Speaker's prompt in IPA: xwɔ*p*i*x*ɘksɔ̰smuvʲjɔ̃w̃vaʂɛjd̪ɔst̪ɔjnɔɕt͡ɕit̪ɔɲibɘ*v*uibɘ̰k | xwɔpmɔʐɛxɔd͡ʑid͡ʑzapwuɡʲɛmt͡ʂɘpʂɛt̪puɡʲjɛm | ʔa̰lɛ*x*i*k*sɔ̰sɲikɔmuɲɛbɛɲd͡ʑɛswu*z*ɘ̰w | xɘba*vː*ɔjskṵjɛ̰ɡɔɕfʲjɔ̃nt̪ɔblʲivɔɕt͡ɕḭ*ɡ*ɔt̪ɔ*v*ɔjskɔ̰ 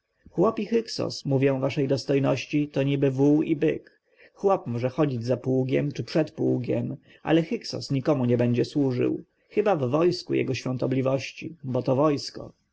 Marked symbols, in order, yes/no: yes, yes, yes, yes, yes, no, yes, no, yes

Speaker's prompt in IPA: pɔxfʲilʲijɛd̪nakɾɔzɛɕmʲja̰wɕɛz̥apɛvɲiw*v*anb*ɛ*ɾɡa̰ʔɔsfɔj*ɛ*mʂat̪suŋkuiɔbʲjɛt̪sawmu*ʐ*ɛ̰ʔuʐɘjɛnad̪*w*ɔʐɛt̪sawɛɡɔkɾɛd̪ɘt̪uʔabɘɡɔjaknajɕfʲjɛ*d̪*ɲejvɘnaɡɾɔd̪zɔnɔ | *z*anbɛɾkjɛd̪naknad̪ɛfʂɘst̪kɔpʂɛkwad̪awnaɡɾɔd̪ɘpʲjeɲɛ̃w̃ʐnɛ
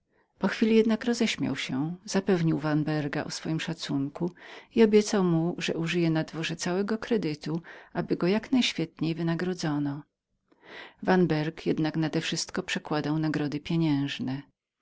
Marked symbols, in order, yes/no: yes, yes, no, yes, no, no, no

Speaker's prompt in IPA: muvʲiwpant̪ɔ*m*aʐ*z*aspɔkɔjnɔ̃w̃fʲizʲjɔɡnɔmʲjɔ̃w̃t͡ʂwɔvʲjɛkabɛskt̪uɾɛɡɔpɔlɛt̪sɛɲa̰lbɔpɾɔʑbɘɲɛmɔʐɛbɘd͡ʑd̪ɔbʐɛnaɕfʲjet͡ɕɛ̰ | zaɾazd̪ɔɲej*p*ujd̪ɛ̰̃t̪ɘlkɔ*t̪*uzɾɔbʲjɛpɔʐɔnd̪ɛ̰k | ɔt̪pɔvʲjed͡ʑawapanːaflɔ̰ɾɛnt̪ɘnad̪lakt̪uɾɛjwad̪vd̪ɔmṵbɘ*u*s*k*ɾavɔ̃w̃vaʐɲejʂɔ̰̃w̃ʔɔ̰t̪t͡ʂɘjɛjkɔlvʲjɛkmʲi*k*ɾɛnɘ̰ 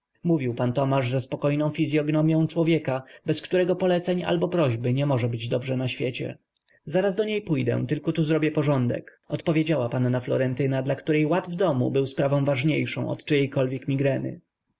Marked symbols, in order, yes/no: yes, yes, yes, yes, no, no, no

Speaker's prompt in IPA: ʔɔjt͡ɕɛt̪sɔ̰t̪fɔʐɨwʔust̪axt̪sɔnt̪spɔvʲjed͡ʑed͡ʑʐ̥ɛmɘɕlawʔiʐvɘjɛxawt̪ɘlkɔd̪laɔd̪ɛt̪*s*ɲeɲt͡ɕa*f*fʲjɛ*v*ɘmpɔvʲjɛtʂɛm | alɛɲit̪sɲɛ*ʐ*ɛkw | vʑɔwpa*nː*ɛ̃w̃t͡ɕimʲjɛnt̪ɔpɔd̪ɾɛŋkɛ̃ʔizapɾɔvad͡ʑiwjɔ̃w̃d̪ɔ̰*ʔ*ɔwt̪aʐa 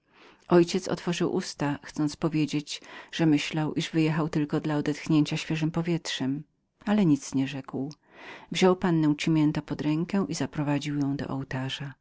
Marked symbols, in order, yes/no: no, no, no, yes, yes, yes

